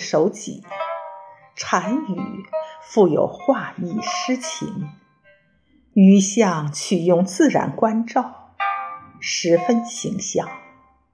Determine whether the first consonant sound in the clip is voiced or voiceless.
voiceless